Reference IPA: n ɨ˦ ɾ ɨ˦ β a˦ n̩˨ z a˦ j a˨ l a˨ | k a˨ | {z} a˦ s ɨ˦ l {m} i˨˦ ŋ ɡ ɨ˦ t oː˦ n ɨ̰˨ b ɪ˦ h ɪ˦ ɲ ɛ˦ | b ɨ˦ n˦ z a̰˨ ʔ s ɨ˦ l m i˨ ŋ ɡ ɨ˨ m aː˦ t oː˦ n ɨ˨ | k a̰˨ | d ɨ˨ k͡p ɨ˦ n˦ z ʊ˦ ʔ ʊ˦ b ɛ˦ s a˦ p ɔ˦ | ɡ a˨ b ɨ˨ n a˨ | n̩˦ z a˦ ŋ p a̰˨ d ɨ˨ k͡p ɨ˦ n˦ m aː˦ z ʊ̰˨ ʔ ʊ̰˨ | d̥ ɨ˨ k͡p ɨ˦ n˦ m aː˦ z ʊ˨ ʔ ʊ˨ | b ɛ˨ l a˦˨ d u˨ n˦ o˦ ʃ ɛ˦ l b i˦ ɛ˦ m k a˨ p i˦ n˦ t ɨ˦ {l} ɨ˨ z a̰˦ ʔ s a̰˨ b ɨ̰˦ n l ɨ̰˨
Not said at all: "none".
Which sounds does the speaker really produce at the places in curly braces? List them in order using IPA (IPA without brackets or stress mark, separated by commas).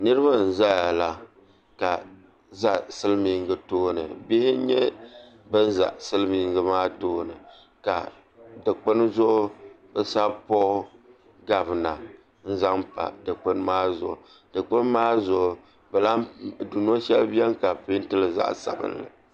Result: z, m, l